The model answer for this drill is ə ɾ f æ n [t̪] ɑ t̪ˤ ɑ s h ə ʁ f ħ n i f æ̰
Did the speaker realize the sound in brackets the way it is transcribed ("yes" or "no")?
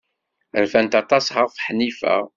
yes